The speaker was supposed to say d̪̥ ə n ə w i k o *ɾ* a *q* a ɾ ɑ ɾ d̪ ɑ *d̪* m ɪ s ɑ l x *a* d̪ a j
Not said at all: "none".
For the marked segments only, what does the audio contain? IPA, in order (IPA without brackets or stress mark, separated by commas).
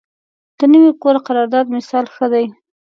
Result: ɾ, q, d̪, ə